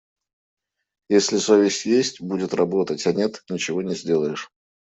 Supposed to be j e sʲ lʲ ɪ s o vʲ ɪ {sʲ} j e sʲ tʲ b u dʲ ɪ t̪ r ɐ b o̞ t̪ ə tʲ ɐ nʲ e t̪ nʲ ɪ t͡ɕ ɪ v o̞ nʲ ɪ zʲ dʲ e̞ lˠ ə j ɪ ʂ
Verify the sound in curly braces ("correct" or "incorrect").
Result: correct